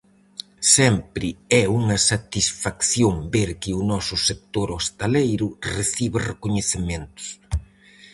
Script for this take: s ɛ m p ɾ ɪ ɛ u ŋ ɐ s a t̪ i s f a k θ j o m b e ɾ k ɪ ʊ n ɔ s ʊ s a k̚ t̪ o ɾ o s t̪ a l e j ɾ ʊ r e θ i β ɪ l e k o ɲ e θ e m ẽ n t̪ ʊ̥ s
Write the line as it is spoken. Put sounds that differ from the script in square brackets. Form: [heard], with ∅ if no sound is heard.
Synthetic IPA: s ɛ m p ɾ ɪ ɛ u ŋ ɐ s a t̪ i s f a k θ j o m b e ɾ k ɪ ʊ n ɔ s ʊ s [e] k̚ t̪ o ɾ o s t̪ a l e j ɾ ʊ r e θ i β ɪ [r] e k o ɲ e θ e m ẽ n t̪ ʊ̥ s